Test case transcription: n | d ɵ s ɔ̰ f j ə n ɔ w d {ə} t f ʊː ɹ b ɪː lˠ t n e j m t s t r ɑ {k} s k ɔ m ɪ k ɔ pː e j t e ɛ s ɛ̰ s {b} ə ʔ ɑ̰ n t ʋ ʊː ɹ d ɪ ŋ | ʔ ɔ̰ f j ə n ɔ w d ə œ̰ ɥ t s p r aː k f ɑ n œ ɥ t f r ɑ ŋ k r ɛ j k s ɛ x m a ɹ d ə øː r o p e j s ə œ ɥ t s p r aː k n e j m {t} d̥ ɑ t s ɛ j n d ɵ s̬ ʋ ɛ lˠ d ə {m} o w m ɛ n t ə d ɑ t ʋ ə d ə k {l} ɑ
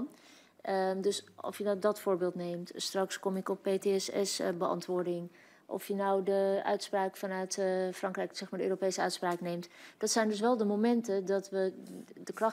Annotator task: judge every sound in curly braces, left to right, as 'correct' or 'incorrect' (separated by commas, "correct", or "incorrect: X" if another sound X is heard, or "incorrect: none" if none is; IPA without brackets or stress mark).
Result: incorrect: ɑ, correct, correct, correct, correct, incorrect: r